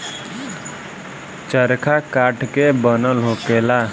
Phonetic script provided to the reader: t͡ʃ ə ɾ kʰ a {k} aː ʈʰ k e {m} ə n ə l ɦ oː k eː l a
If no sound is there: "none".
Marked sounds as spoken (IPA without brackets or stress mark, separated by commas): k, b